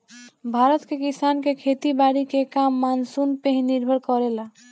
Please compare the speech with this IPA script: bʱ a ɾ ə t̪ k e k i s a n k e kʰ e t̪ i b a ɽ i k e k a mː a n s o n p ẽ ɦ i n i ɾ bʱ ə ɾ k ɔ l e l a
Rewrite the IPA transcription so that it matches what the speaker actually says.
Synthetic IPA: bʱ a ɾ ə t̪ k e k i s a n k e kʰ e t̪ i b a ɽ i k e k a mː a n s u n p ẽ ɦ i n i ɾ bʱ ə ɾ k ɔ ɾ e l a